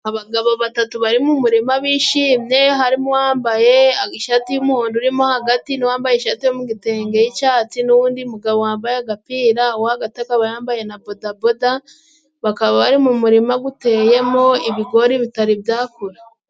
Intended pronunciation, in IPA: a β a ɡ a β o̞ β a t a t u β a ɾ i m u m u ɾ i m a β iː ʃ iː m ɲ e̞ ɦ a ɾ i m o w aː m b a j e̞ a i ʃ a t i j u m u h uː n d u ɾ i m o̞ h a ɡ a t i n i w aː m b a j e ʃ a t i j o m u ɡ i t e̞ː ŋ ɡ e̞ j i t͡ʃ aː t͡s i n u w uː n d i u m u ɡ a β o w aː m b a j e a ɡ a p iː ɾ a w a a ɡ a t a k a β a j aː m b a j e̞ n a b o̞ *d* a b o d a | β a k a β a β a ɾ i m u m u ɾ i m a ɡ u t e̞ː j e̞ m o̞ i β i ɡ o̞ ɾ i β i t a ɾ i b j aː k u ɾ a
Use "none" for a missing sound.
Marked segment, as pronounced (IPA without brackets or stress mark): d